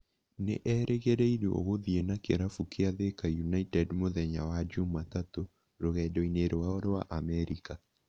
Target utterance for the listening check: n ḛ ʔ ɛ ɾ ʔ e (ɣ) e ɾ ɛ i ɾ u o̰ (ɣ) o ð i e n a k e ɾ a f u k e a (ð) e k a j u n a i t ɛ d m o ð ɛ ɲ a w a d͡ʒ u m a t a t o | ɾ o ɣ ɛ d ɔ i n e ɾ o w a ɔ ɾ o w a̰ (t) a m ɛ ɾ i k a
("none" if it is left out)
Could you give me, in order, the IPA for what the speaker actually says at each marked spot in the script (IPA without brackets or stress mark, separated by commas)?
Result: ɣ, ɣ, ð, ʔ